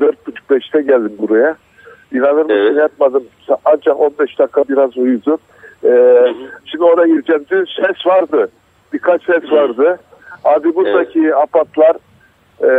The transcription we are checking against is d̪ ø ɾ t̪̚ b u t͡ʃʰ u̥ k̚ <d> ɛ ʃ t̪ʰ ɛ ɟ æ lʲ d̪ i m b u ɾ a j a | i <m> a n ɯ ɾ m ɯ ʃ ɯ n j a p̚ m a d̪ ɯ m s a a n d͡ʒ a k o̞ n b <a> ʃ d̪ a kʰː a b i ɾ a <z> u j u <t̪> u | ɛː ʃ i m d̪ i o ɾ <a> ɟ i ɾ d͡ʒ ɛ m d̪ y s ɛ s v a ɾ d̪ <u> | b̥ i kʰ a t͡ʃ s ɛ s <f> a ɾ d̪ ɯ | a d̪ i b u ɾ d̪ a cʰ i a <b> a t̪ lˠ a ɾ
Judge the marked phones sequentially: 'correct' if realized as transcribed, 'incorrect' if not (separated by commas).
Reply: incorrect, incorrect, incorrect, correct, incorrect, correct, incorrect, incorrect, incorrect